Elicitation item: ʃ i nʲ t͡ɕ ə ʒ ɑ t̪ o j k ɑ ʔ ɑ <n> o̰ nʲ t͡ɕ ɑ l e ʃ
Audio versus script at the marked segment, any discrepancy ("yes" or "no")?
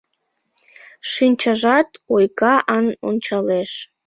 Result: no